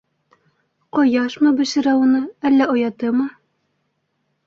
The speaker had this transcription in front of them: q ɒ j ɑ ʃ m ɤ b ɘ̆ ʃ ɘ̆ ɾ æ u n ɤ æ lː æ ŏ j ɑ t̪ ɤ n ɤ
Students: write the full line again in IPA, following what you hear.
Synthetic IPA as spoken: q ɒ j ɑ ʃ m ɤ b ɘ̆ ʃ ɘ̆ ɾ æ u n ɤ æ lː æ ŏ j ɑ t̪ ɤ m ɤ